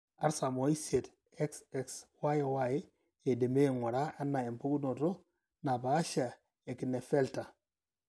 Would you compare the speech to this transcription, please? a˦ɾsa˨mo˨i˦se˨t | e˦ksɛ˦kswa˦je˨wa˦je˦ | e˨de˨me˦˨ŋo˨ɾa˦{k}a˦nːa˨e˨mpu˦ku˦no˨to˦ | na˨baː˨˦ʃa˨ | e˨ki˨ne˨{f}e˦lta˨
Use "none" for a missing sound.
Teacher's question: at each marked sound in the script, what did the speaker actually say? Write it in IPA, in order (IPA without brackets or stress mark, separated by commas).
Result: none, f